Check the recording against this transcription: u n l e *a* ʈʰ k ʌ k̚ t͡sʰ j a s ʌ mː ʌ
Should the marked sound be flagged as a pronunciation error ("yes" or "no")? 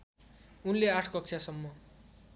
no